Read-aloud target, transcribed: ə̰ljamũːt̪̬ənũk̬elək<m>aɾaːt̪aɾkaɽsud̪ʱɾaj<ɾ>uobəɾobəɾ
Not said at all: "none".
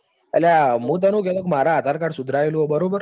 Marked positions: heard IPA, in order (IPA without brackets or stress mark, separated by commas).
m, l